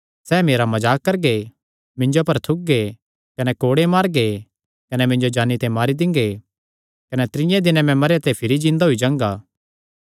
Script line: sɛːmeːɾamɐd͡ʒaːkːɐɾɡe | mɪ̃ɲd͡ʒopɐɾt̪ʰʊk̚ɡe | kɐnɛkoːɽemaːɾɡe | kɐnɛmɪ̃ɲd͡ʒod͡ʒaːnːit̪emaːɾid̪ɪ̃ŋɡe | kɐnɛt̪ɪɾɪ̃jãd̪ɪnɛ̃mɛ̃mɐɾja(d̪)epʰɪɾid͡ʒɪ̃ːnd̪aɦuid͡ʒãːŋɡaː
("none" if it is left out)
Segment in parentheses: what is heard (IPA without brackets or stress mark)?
t̪